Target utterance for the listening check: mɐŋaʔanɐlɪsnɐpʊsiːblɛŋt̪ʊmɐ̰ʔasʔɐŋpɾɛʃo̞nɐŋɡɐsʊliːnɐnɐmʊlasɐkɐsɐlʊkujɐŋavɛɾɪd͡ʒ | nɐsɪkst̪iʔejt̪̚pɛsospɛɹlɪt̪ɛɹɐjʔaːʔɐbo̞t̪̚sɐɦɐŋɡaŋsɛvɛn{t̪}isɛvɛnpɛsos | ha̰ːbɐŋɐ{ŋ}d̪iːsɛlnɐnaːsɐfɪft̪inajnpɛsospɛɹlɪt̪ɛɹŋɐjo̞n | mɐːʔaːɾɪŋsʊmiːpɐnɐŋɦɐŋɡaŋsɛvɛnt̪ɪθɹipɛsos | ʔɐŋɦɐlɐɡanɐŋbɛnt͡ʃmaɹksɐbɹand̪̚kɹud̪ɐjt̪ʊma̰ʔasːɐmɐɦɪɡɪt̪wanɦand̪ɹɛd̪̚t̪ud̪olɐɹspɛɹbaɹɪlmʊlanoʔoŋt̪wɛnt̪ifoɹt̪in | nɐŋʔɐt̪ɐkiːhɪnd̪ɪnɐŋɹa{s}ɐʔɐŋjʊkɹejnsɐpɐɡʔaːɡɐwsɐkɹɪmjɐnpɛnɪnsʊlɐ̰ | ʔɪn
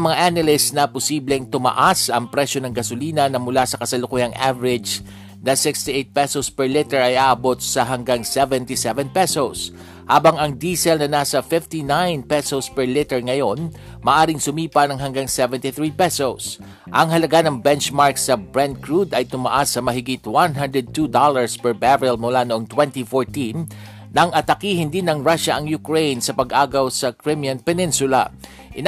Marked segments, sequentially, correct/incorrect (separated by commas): correct, correct, incorrect